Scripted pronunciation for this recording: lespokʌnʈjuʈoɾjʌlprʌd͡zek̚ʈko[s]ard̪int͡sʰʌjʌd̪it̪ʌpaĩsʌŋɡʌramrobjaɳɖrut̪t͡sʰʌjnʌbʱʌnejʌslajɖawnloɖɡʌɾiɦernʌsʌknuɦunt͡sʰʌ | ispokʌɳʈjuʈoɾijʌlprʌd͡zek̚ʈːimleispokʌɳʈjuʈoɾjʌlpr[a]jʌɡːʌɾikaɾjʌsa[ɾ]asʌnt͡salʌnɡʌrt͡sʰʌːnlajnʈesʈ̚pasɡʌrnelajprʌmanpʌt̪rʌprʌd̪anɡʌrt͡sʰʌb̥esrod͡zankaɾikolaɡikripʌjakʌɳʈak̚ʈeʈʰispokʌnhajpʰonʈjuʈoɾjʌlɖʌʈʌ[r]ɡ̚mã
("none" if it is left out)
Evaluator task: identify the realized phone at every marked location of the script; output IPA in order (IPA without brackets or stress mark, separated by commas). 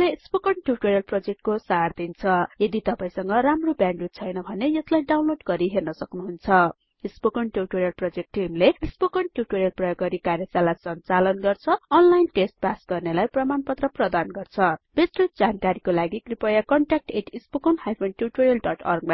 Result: s, ʌ, l, r